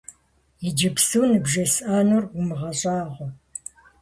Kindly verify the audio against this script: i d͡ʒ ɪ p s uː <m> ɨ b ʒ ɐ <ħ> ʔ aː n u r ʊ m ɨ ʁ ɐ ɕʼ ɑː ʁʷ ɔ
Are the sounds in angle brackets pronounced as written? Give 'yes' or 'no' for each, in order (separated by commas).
no, no